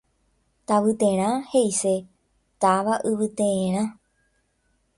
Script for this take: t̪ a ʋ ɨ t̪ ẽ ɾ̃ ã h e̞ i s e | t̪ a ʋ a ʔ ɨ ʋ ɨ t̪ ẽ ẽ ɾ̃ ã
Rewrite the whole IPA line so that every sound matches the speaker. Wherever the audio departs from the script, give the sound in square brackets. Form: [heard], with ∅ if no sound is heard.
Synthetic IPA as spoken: t̪ a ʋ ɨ t̪ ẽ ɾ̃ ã h e̞ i s e | t̪ a ʋ a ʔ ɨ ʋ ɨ t̪ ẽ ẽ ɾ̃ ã